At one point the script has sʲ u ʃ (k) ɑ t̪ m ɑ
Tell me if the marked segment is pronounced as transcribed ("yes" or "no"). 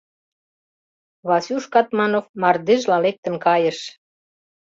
yes